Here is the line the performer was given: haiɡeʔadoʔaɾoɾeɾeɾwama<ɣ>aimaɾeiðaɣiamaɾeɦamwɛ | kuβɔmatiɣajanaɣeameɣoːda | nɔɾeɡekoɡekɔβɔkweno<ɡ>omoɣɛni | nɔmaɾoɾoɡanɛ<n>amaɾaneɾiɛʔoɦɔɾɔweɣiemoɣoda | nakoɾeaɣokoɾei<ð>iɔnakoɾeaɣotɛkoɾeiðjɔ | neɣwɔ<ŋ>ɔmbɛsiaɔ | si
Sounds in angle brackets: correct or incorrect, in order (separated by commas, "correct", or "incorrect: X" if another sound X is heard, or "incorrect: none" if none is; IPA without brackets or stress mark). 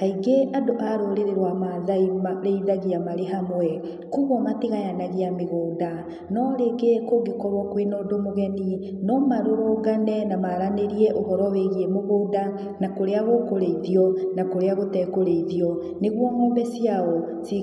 incorrect: ð, incorrect: d, correct, correct, correct